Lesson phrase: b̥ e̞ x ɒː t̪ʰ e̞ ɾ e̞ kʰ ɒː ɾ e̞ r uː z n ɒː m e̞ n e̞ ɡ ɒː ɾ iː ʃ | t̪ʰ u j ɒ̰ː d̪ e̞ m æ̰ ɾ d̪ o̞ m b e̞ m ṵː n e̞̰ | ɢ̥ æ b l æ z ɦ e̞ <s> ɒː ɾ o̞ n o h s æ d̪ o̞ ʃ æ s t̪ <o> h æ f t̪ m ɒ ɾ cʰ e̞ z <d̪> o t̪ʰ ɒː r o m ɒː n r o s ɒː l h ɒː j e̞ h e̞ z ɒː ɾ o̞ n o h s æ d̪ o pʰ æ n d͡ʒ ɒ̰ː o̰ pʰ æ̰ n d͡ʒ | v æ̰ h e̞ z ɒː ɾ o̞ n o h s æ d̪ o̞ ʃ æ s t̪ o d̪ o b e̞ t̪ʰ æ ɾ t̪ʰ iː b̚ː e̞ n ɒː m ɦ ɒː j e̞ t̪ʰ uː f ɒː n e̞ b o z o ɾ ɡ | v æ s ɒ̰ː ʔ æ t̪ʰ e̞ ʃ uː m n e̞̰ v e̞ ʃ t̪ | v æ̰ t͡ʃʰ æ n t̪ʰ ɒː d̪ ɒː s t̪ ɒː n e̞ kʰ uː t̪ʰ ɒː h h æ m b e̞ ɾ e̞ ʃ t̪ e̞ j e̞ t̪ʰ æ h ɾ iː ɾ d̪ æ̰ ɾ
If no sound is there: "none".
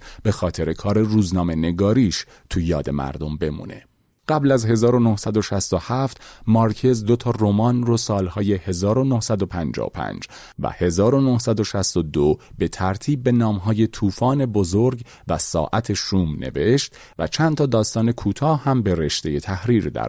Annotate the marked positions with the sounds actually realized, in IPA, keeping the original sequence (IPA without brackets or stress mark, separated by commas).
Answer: z, o, d̪